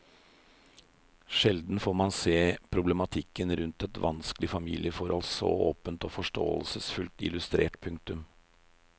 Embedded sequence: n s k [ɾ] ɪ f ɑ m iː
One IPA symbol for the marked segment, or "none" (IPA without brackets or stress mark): l